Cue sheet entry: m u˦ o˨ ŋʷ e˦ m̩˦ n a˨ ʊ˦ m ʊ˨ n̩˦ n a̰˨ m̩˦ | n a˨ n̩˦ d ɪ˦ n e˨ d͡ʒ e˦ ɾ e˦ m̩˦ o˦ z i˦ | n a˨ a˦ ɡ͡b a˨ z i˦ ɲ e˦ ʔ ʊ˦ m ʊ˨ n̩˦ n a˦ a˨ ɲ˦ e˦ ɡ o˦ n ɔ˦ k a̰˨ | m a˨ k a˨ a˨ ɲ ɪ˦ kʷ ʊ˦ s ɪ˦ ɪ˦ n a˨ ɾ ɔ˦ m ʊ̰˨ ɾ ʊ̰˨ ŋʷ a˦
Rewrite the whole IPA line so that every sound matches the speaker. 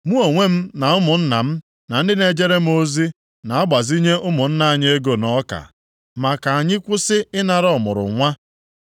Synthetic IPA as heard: m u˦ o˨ ŋʷ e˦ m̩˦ n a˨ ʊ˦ m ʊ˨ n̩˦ n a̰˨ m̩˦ | n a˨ n̩˦ d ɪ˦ n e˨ d͡ʒ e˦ ɾ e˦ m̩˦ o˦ z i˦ | n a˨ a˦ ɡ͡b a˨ z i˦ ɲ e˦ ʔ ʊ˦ m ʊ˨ n̩˦ n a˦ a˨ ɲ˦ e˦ ɡ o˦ n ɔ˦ k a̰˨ | m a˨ k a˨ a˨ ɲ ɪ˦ kʷ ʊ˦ s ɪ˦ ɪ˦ n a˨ ɾ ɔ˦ m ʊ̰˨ ɾ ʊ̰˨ ŋʷ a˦